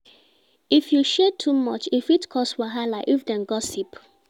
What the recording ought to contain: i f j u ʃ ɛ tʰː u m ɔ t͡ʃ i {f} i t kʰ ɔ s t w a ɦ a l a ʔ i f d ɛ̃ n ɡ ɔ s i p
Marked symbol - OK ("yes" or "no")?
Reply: yes